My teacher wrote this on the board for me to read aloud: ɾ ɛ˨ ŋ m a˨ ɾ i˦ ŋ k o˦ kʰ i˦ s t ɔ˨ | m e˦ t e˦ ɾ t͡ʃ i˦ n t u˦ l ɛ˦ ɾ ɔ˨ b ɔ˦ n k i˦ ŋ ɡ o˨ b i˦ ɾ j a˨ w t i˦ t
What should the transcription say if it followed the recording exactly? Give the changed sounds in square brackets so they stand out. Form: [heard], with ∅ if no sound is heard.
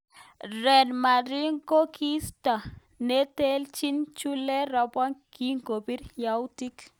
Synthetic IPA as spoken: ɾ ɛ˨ [n] m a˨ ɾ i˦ ŋ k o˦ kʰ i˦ s t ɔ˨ | [n] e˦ t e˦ [l] t͡ʃ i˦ n [t͡ʃ] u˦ l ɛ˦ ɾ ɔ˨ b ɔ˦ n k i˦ ŋ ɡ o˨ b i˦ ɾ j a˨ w t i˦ [k]